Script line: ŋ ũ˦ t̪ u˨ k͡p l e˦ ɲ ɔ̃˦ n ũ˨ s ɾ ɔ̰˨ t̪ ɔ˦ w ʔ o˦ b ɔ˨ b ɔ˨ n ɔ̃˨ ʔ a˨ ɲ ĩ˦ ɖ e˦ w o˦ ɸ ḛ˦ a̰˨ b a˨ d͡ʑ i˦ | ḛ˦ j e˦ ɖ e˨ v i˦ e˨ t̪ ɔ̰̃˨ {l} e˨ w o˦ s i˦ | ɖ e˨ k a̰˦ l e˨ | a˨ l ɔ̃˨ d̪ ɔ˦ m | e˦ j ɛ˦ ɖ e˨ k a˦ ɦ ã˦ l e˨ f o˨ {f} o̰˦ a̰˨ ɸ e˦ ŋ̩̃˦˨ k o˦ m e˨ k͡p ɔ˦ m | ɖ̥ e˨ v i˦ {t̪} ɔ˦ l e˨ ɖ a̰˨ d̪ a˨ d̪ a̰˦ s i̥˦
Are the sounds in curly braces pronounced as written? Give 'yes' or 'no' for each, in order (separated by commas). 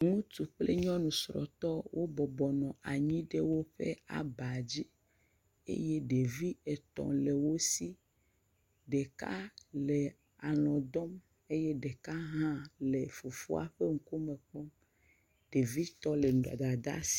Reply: yes, yes, yes